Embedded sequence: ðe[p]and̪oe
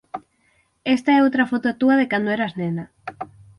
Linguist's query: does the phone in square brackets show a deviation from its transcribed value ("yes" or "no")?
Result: yes